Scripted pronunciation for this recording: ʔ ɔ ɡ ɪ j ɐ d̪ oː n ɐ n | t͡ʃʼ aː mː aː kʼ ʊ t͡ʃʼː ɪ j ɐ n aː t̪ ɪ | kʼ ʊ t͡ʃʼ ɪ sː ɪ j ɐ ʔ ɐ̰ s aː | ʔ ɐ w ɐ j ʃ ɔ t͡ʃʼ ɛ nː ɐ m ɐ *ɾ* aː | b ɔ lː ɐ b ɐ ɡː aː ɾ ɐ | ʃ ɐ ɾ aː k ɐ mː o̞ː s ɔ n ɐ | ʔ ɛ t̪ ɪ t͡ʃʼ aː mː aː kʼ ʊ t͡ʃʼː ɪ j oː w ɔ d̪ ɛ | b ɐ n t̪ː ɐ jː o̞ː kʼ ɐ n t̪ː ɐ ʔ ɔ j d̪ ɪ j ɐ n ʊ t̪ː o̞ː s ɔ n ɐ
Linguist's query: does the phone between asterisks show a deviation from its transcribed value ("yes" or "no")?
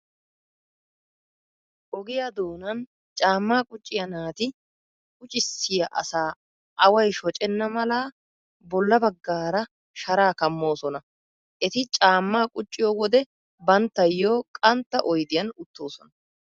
yes